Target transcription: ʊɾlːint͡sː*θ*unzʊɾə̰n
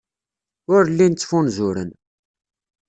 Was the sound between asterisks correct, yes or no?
no